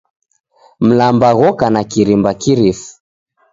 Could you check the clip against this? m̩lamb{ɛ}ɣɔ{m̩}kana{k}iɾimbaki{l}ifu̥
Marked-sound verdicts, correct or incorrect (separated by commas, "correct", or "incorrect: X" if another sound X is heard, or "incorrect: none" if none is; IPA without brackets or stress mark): incorrect: a, incorrect: none, correct, incorrect: ɾ